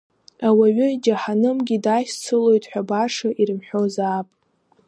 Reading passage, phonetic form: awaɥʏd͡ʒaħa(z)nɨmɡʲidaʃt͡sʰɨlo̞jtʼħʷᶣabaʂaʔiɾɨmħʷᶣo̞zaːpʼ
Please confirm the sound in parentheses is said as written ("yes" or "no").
no